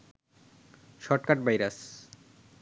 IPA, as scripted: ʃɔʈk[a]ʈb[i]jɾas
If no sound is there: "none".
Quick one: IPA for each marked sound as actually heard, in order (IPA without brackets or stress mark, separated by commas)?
a, a